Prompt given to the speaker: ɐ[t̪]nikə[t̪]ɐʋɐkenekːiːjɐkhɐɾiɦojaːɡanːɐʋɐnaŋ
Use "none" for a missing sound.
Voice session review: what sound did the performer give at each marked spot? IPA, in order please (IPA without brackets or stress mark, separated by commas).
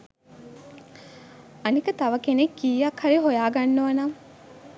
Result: none, t̪